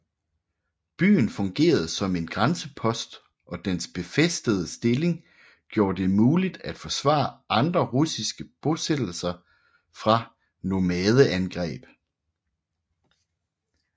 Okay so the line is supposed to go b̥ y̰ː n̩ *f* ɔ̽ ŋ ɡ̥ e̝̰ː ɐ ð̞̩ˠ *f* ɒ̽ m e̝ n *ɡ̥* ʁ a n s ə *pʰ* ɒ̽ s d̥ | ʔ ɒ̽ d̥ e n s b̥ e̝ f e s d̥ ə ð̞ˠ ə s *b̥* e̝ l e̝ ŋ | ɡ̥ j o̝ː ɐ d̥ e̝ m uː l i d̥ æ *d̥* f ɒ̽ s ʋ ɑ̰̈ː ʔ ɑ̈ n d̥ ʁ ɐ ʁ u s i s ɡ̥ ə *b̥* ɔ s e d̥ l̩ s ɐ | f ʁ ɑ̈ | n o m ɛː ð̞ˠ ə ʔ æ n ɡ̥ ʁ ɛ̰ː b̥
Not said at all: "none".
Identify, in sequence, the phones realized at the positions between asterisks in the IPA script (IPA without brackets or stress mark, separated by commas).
f, s, ɡ̥, pʰ, d̥, d̥, b̥